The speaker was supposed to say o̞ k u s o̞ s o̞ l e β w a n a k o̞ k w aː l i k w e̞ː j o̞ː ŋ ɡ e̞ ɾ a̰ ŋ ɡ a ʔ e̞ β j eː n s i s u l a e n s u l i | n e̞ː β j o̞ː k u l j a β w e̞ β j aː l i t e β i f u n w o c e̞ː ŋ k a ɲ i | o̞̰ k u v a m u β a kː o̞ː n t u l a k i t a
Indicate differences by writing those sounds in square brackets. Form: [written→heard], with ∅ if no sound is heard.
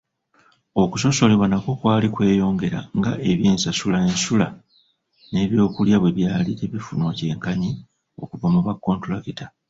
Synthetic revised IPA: o̞ k u s o̞ s o̞ l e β w a n a k o̞ k w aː l i k w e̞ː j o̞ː ŋ ɡ e̞ ɾ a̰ ŋ ɡ a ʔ e̞ β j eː n s [i→a] s u l a e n s u l [i→a] | n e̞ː β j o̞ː k u l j a β w e̞ β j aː l i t e β i f u n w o c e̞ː ŋ k a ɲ i | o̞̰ k u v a m u β a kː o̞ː n t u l a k i t a